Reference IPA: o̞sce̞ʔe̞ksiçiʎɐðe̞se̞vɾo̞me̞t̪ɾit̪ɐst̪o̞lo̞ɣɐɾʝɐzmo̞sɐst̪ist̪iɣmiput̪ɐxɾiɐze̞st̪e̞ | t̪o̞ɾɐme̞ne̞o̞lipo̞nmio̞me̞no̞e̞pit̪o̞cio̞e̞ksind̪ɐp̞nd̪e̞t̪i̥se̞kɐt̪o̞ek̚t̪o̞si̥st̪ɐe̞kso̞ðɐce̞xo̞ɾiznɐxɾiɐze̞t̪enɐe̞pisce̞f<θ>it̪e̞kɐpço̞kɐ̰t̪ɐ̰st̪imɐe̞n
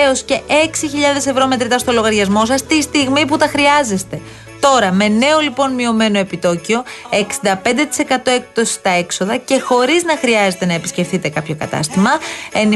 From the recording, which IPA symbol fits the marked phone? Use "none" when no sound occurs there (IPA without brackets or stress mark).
θ